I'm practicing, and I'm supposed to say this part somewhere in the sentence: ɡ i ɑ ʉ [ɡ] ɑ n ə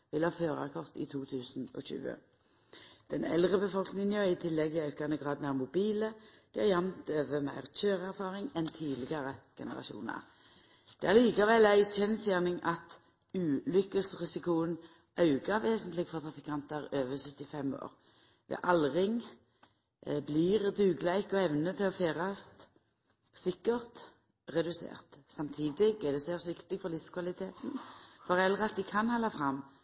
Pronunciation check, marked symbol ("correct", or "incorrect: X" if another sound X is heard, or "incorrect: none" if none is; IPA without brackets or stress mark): incorrect: k